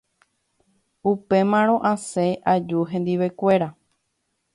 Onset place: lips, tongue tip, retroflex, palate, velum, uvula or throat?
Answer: lips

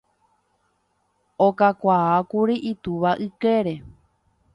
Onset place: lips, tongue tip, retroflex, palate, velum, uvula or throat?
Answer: velum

